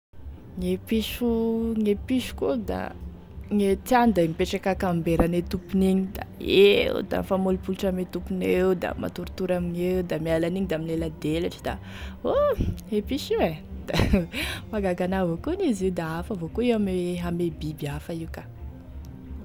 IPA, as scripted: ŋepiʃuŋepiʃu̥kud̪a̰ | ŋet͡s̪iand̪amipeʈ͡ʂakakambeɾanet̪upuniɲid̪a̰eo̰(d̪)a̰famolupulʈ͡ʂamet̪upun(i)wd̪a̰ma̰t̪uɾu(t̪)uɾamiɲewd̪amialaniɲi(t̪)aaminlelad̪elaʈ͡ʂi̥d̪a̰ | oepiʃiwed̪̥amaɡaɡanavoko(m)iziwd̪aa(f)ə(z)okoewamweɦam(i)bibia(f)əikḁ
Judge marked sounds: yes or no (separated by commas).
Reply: yes, no, yes, no, no, yes, no, no, yes